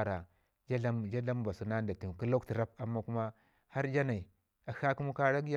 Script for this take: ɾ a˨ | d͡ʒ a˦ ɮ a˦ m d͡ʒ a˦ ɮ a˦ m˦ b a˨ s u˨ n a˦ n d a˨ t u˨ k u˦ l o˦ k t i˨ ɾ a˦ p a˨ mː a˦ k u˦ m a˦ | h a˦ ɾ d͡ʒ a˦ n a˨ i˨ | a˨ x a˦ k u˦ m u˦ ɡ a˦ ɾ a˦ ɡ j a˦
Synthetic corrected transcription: ɾ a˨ | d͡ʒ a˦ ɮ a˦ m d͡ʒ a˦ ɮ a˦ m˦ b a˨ s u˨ n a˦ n d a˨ t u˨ k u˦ l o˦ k t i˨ ɾ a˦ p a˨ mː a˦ k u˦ m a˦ | h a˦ ɾ d͡ʒ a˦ n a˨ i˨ | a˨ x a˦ k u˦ m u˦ k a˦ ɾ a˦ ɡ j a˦